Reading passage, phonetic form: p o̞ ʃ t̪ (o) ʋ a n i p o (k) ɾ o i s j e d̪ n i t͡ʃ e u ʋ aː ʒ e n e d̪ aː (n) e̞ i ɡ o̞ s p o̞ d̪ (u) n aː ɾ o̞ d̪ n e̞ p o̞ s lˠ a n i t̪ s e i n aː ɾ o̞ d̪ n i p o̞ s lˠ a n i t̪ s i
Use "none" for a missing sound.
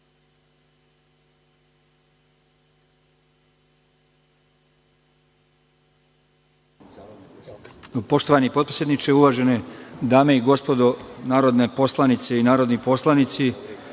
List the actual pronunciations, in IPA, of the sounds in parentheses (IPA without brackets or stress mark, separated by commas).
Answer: o, p, m, o